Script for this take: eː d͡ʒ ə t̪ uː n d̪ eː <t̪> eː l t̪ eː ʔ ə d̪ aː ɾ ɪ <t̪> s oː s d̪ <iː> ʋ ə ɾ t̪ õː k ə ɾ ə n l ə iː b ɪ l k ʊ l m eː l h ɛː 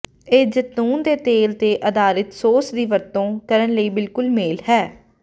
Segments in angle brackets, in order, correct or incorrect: correct, correct, correct

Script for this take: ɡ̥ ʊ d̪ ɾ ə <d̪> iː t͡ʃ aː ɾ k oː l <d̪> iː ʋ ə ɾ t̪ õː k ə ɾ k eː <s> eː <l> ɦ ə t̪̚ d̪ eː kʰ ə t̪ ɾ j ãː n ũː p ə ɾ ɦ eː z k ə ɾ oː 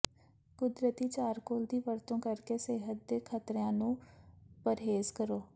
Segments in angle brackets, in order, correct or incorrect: incorrect: t̪, correct, correct, incorrect: none

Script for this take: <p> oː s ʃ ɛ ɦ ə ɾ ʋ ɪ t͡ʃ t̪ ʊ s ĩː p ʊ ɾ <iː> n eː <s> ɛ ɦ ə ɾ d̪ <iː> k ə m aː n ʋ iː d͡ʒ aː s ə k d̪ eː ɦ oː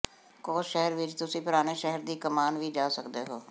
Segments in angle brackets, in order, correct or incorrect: incorrect: k, incorrect: aː, incorrect: ʃ, correct

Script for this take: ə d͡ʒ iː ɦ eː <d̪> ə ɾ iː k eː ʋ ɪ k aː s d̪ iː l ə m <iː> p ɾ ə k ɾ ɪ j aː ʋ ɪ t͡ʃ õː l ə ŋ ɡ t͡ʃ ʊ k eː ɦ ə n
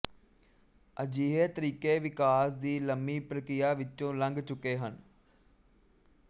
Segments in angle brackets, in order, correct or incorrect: incorrect: t̪, correct

